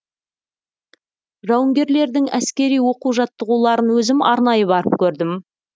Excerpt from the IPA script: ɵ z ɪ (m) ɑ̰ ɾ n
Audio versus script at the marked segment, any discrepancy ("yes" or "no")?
no